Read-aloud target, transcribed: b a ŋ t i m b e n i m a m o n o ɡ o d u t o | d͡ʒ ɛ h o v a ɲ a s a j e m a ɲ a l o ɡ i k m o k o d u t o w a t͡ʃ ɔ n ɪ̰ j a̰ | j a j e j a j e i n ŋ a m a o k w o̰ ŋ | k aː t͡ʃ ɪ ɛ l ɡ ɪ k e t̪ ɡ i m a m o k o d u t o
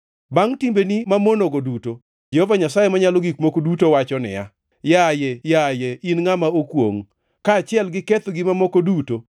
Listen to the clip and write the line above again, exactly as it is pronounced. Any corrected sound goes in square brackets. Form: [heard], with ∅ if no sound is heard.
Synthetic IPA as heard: b a ŋ t i m b e n i m a m o n o ɡ o d u t o | d͡ʒ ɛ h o v a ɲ a s a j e m a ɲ a l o ɡ i k m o k o d u t o w a t͡ʃ ɔ n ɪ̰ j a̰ | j a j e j a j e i n ŋ a m a o k w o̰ ŋ | k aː t͡ʃ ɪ ɛ l ɡ ɪ k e t̪ ɡ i m a m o k o d u t o